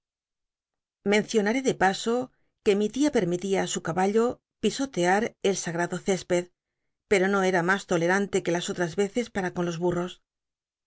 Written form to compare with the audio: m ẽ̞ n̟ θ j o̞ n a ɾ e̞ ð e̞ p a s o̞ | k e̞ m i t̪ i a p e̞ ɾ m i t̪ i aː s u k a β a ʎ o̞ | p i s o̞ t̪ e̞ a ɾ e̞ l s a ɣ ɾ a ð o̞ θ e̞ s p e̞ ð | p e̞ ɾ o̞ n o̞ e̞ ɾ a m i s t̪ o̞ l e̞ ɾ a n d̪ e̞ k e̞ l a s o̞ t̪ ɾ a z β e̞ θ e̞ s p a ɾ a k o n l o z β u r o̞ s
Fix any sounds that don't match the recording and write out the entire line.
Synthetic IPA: m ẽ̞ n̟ θ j o̞ n a ɾ e̞ ð e̞ p a s o̞ | k e̞ m i t̪ i a p e̞ ɾ m i t̪ i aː s u k a β a ʎ o̞ | p i s o̞ t̪ e̞ a ɾ e̞ l s a ɣ ɾ a ð o̞ θ e̞ s p e̞ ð | p e̞ ɾ o̞ n o̞ e̞ ɾ a m a s t̪ o̞ l e̞ ɾ a n t̪ e̞ k e̞ l a s o̞ t̪ ɾ a z β e̞ θ e̞ s p a ɾ a k o n l o z β u r o̞ s